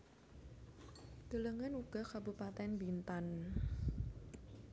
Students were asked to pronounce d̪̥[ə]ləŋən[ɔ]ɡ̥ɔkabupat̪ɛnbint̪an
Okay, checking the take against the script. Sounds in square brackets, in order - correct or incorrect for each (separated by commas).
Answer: correct, incorrect